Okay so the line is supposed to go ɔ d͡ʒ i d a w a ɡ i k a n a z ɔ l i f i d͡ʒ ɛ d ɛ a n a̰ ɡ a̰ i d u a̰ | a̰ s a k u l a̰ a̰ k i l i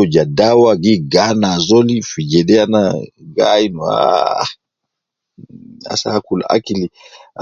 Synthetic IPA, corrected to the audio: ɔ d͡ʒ a d a w a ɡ i ɡ a n a z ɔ l i f i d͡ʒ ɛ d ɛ a n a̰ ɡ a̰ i n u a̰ | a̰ s a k u l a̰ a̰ k i l i

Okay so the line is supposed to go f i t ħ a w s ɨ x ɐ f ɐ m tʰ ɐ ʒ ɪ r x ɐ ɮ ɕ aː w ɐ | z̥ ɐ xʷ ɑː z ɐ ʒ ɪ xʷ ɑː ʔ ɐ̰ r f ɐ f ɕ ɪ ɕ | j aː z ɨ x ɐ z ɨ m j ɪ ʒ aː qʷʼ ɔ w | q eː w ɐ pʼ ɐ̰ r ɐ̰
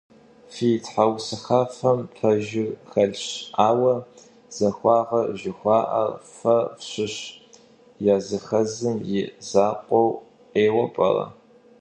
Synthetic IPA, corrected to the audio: f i t ħ a w s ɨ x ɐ f ɐ m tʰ ɐ ʒ ɪ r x ɐ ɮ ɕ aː w ɐ | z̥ ɐ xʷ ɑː ʁ ɐ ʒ ɪ xʷ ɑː ʔ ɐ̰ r f ɐ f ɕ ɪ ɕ | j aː z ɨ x ɐ z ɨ m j ɪ z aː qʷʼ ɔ w | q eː w ɐ pʼ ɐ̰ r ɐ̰

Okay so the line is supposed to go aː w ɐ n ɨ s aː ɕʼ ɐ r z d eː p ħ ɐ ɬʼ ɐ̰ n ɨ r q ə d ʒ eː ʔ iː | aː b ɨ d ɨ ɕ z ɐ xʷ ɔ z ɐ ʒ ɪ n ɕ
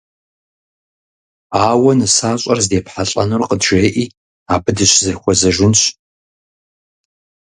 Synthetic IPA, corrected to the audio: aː w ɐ n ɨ s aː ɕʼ ɐ r z d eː p ħ a ɬʼ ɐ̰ n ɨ r q ə d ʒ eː ʔ iː | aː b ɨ d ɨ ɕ z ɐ xʷ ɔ z ɐ ʒ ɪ n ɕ

